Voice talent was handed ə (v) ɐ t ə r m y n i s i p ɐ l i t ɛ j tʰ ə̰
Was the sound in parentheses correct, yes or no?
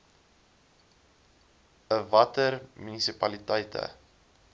yes